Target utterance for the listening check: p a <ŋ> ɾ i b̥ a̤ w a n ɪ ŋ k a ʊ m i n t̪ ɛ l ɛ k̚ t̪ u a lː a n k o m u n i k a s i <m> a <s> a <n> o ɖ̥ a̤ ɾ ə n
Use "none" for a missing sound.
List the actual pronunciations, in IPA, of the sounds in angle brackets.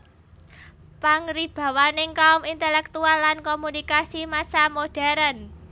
ŋ, m, s, m

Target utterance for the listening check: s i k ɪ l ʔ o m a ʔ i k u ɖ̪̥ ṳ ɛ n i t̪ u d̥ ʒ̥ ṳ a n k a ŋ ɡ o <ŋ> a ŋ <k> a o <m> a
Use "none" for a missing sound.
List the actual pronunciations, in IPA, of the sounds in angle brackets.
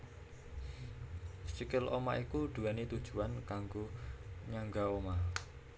ɲ, ɡ, m

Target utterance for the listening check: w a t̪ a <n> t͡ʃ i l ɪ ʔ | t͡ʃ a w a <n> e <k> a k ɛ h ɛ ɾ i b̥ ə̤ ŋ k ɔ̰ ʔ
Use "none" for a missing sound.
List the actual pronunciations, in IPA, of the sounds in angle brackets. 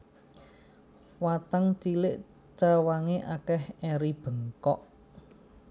ŋ, ŋ, ʔ

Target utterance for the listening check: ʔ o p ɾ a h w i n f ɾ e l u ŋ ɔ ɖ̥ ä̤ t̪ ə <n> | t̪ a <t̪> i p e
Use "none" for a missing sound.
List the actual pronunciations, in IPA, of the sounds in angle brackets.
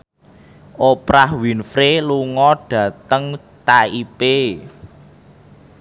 ŋ, none

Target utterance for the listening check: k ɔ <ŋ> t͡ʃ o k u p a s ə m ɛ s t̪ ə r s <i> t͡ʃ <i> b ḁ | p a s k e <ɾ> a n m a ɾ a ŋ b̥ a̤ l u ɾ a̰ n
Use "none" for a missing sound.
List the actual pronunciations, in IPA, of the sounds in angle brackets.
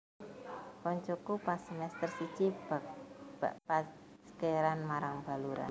ɲ, i, i, ɾ

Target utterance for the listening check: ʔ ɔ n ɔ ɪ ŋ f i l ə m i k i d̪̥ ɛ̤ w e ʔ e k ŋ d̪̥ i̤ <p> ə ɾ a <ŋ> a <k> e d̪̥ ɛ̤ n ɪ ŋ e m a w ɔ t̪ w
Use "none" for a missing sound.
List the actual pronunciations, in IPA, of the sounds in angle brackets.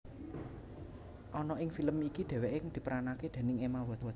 p, n, k

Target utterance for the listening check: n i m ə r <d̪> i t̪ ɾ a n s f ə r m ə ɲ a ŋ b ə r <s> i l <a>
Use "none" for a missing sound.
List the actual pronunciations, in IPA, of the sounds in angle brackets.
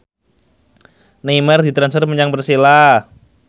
d̪, s, a

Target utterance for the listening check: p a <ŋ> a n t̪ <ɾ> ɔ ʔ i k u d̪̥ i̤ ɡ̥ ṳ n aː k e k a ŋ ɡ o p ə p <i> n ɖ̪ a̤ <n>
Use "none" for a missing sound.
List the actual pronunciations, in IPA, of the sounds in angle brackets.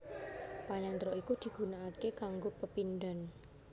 ɲ, ɾ, i, n

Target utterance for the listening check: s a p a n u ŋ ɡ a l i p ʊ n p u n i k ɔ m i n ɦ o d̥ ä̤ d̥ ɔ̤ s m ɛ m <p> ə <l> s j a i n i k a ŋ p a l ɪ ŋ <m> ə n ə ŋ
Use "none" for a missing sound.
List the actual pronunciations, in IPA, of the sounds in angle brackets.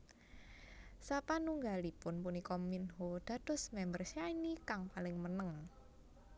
b, r, m

